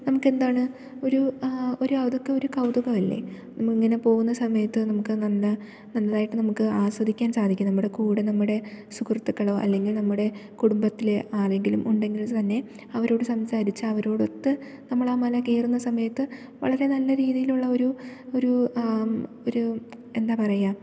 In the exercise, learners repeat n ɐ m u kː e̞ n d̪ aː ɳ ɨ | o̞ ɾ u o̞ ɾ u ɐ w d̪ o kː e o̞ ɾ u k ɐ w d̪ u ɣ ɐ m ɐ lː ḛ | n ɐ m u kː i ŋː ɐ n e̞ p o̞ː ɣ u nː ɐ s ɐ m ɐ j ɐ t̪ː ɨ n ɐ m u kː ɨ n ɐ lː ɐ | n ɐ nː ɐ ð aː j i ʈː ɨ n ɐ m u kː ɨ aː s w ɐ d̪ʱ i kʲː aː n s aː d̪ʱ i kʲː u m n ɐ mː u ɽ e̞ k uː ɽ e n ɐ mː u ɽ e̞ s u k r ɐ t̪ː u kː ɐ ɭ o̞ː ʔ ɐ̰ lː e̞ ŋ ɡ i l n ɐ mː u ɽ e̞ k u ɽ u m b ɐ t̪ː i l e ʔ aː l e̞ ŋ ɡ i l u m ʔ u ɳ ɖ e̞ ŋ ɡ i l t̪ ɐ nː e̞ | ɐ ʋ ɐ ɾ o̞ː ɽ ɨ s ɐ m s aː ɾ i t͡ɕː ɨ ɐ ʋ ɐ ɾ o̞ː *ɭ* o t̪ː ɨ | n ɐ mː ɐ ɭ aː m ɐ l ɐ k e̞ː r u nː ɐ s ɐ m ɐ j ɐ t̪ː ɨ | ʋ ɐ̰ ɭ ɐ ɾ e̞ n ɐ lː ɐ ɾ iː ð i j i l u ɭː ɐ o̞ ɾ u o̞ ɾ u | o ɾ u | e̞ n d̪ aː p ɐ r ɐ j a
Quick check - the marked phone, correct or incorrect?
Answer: incorrect: ɽ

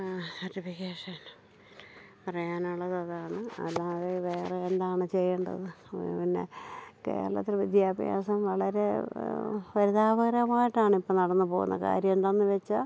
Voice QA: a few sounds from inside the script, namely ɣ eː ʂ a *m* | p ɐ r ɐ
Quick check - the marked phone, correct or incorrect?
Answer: incorrect: n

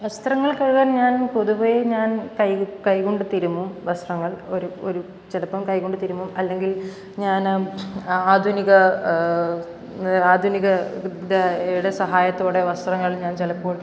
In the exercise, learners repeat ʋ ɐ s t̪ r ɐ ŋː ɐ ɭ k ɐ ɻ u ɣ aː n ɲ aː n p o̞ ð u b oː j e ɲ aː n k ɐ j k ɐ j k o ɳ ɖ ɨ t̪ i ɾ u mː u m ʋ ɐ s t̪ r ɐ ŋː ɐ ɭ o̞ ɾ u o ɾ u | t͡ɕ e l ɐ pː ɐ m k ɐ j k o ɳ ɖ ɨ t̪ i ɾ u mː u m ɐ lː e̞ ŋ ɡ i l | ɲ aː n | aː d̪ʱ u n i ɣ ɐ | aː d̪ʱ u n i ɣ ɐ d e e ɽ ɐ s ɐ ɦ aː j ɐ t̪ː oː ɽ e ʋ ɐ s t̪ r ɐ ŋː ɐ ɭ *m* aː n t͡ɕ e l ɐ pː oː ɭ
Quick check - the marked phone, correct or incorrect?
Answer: incorrect: ɲ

